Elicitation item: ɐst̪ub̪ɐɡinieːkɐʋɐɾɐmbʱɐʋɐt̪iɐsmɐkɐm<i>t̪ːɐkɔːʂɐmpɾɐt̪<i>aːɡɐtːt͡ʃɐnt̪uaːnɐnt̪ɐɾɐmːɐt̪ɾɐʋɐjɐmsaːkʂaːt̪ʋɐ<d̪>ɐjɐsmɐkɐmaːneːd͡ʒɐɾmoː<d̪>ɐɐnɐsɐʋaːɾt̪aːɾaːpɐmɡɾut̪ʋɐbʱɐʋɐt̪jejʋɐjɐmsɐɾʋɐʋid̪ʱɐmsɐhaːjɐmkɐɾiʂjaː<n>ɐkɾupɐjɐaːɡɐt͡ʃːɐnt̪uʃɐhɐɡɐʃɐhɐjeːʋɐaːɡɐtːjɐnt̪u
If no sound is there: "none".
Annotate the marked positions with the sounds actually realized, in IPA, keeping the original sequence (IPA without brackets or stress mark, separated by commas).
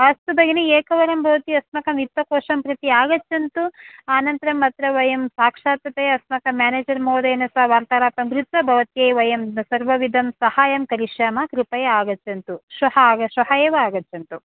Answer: i, i, t̪, d̪, m